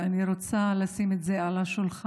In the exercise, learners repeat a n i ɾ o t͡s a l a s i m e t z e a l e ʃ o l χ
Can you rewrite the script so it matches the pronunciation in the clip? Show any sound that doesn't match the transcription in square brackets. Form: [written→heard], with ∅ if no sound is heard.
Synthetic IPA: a n i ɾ o t͡s a l a s i m e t z e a l [e→a] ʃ [o→u] l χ